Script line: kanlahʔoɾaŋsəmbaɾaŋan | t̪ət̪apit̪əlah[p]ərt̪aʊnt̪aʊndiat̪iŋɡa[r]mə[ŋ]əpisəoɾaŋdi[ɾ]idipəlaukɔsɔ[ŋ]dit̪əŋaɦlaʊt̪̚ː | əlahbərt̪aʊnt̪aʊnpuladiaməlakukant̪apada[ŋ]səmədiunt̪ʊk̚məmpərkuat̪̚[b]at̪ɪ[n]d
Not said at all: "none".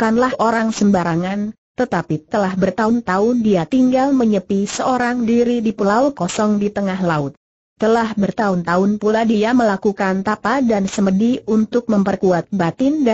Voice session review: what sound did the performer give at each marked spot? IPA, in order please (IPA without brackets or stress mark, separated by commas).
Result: b, l, ɲ, ɾ, ŋ, n, b, n